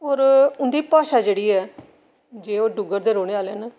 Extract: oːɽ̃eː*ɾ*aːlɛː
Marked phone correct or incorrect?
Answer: incorrect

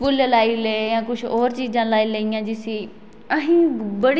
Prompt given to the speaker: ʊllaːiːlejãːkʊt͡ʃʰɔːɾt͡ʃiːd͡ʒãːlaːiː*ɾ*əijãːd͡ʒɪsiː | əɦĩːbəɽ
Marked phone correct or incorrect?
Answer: incorrect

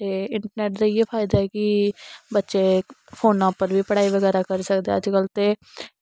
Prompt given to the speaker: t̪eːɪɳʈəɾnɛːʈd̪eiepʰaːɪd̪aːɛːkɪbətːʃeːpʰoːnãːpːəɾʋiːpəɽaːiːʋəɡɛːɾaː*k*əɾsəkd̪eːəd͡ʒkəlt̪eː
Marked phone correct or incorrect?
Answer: correct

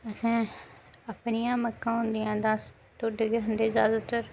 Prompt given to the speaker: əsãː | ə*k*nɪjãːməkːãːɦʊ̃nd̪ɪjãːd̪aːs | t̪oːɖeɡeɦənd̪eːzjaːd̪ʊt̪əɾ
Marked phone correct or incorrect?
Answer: incorrect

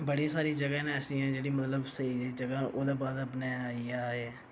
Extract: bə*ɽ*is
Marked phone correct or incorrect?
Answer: correct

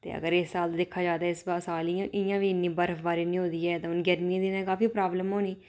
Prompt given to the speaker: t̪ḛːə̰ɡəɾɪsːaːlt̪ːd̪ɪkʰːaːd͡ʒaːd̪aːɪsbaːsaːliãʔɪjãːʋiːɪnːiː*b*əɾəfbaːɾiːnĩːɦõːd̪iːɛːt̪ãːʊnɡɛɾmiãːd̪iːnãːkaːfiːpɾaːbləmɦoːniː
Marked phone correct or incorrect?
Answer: correct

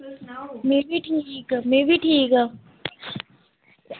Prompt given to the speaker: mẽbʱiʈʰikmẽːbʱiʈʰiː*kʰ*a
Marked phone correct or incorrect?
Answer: incorrect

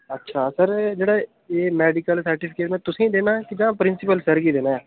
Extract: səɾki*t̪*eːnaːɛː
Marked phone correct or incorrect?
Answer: incorrect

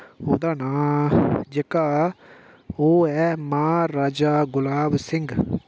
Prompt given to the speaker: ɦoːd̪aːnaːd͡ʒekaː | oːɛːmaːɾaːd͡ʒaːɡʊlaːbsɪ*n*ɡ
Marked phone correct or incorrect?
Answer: incorrect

